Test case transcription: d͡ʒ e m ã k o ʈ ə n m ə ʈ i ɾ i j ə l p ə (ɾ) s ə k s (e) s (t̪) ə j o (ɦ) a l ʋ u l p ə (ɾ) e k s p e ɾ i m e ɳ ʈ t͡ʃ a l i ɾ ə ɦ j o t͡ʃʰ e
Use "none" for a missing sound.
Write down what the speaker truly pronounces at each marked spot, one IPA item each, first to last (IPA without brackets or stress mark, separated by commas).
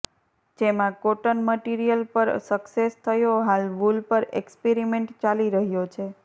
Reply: ɾ, e, t̪ʰ, ɦ, ɾ